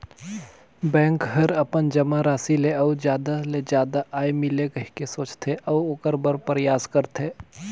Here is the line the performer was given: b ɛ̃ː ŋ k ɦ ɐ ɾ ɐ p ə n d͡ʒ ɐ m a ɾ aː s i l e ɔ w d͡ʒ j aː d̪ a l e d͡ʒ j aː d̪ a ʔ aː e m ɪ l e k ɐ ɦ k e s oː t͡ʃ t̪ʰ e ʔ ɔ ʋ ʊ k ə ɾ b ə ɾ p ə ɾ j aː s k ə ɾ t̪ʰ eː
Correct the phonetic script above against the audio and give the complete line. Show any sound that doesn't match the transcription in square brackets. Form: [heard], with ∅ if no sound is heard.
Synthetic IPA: b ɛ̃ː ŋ k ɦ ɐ ɾ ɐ p ə n d͡ʒ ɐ m a ɾ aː s i l e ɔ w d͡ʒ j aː d̪ a l e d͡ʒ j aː d̪ a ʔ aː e m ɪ l e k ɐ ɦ k e s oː t͡ʃ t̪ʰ e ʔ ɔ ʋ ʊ k ə ɾ b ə ɾ p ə ɾ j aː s k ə ɾ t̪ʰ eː